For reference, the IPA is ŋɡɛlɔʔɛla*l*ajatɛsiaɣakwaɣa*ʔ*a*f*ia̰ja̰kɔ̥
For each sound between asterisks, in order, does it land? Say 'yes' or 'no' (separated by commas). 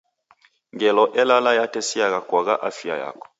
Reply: yes, yes, yes